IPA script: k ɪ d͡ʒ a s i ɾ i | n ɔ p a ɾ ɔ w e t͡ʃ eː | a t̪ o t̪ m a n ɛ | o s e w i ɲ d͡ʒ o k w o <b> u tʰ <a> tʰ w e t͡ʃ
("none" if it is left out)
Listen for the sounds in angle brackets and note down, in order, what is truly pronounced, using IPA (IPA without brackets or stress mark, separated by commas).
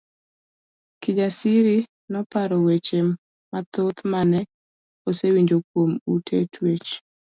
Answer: m, e